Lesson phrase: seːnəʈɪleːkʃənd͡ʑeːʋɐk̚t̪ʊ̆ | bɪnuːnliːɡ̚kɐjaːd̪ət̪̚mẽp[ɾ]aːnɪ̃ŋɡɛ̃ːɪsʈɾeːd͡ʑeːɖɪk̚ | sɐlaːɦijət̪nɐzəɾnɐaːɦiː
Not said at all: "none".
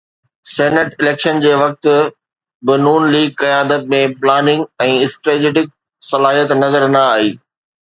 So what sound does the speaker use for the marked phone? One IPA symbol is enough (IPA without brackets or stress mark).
l